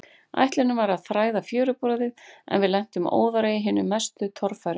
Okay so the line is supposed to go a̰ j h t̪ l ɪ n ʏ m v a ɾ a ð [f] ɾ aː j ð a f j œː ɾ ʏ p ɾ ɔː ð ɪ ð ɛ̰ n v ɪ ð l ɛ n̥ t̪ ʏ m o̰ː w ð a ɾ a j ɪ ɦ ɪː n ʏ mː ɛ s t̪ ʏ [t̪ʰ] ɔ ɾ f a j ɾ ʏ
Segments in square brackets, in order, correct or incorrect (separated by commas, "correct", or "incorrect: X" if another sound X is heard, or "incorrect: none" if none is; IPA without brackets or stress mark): incorrect: θ, correct